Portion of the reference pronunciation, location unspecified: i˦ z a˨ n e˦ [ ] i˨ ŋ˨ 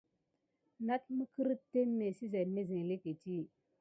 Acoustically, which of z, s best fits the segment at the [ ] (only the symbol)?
z